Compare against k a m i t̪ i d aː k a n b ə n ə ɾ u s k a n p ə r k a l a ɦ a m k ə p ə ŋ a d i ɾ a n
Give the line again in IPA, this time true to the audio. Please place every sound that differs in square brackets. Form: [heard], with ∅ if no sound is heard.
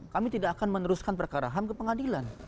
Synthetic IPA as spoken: k a m i t̪ i d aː k a n [m] ə n ə ɾ u s k a n p ə r k a [ɾ] a ɦ a m k ə p ə ŋ a d i [l] a n

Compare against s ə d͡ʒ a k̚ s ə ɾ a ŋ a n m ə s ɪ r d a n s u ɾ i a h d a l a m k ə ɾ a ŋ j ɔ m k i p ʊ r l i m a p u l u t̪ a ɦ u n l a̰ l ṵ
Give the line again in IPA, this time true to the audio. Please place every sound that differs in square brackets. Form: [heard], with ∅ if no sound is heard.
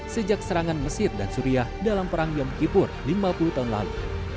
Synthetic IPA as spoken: s ə d͡ʒ a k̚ s ə ɾ a ŋ a n m ə s ɪ r d a n s u ɾ i a h d a l a m [p] ə ɾ a ŋ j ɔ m k i p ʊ r l i m a p u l u t̪ a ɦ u n l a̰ l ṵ

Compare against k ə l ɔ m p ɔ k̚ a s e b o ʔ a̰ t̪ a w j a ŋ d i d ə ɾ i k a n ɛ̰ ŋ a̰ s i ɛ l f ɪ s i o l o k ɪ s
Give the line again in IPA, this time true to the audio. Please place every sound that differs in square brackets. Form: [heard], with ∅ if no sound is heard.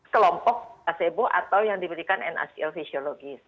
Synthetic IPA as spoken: k ə l ɔ m p ɔ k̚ a s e b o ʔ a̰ t̪ a w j a ŋ d i [b] ə ɾ i k a n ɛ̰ [n] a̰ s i ɛ l f [i] s i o l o [ɡ] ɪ s

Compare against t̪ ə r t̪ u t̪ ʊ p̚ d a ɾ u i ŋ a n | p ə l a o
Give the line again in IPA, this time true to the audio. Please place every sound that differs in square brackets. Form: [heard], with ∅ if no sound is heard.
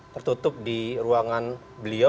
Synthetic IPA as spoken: t̪ ə r t̪ u t̪ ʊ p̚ d [i] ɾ u [a] ŋ a n | [b] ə l [i] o

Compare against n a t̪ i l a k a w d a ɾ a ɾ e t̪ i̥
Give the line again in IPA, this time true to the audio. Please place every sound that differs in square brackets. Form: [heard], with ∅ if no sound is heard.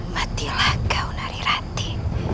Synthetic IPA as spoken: [m] a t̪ i l a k a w [n] a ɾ [i] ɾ [a] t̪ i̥

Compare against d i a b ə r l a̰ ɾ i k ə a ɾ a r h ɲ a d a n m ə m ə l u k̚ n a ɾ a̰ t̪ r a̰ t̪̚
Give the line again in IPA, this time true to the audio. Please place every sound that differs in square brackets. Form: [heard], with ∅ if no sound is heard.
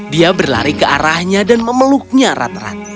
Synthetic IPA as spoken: d i a b ə r l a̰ ɾ i k ə a ɾ a [∅] h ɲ a d a n m ə m ə l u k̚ [ɲ] a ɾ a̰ t̪ r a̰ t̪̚

